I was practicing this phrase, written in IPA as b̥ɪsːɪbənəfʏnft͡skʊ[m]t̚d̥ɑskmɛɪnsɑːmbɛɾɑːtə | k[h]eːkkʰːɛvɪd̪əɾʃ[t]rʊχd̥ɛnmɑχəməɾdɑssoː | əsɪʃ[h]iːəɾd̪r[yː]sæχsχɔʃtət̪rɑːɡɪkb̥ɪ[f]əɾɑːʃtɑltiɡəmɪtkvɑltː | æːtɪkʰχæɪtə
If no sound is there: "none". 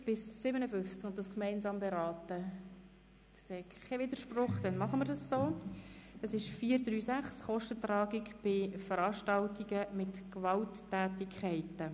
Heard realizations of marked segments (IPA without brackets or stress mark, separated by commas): n, s, p, f, yː, f